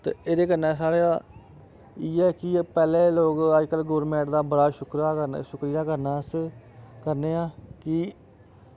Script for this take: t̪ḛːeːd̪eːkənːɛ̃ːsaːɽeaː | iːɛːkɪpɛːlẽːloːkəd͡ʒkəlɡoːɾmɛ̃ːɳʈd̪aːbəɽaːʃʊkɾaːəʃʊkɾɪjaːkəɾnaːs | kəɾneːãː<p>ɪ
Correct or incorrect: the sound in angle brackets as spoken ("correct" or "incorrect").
incorrect